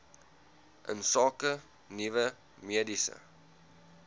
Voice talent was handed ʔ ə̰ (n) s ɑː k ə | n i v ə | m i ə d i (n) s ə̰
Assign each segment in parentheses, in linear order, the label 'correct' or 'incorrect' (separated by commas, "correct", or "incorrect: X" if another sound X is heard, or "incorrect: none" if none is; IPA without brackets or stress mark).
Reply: correct, incorrect: none